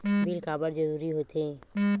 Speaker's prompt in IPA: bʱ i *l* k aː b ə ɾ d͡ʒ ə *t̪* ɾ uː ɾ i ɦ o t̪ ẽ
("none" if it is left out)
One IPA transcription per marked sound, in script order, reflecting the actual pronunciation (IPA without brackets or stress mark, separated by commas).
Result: l, none